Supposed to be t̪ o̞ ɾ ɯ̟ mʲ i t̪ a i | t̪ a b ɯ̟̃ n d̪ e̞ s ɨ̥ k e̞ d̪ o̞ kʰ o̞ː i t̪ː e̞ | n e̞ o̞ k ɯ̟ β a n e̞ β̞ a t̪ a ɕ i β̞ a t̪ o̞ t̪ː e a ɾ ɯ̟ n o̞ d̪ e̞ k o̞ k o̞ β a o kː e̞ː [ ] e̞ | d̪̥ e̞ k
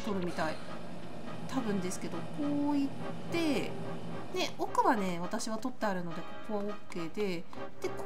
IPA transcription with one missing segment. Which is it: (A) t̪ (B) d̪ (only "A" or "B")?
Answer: B